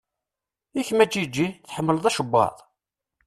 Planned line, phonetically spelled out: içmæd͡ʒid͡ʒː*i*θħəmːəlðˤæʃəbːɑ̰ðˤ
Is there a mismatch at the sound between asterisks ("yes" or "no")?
no